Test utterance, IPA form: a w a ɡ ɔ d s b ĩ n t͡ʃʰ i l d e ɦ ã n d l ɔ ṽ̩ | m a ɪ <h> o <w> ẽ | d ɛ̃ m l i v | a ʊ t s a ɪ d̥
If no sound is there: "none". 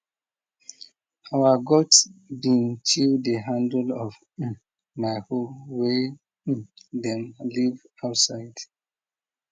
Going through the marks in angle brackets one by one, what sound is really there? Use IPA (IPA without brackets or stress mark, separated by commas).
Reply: h, w